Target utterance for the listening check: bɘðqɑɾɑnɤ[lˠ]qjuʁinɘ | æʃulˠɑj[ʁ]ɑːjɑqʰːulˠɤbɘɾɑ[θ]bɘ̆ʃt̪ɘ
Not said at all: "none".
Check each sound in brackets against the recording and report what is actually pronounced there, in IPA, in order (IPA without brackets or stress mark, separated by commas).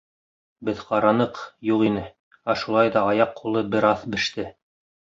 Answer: none, ð, θ